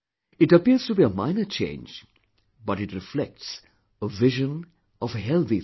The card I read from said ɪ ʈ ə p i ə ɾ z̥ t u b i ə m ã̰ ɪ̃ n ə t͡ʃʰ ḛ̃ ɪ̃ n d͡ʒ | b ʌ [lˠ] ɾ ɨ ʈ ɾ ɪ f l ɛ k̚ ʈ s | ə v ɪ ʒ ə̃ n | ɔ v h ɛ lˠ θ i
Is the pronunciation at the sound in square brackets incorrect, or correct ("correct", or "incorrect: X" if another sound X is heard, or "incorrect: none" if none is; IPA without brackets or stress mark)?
incorrect: none